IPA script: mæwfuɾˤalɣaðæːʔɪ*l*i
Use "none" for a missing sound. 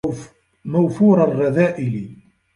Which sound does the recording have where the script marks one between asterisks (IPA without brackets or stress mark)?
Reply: l